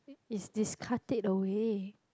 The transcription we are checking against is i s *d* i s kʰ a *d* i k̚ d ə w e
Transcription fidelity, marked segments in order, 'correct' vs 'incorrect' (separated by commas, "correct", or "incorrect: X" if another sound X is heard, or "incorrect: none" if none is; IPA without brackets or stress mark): correct, incorrect: t